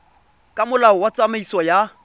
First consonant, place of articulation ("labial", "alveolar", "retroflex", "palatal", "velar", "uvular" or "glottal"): velar